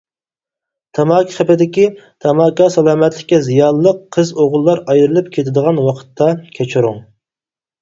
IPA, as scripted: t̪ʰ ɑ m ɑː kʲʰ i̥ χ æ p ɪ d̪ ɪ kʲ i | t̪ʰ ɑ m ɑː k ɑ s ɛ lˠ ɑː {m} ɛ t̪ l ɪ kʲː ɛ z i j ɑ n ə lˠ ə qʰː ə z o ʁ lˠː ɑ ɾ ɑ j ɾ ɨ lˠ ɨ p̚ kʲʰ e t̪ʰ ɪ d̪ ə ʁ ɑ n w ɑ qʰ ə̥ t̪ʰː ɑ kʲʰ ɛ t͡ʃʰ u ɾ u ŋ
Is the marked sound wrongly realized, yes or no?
no